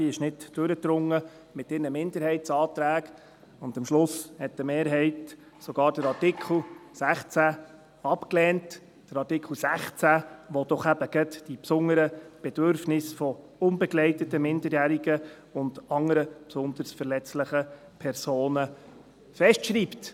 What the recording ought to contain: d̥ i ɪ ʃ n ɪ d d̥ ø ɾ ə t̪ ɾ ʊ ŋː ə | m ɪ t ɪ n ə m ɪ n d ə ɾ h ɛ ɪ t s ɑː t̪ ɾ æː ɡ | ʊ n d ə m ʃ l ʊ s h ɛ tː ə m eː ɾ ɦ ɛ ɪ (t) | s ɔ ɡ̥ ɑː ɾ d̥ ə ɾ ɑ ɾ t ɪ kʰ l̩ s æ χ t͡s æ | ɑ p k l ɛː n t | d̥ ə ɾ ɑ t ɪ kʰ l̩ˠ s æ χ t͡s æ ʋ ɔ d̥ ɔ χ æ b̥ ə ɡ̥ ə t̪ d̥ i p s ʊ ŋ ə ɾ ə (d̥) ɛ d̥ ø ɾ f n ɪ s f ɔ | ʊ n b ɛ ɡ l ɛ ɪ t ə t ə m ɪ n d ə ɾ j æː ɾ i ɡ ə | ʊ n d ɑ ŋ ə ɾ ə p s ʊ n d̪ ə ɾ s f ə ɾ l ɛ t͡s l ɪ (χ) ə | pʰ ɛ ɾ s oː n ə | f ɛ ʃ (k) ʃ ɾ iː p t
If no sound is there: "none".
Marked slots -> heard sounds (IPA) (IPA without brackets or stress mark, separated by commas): t, b̥, χ, t